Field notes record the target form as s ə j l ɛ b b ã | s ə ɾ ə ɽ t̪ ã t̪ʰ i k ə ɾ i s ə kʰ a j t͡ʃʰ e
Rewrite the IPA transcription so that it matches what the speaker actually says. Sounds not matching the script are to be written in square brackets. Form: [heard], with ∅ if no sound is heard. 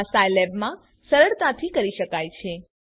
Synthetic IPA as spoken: s [a] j l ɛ b [m] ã | s ə ɾ ə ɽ t̪ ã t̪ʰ i k ə ɾ i [ʃ] ə [k] a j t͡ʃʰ e